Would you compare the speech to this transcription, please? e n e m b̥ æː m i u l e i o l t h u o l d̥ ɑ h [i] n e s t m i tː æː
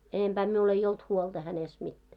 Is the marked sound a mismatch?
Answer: yes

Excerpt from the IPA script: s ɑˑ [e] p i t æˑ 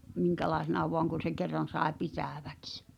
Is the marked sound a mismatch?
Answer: no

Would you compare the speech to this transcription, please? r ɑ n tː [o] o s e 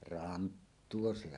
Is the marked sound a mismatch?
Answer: yes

